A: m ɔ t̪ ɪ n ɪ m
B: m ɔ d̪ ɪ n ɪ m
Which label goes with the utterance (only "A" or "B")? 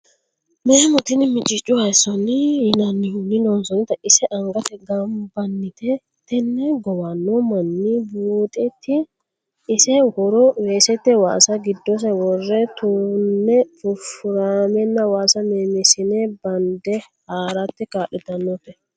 A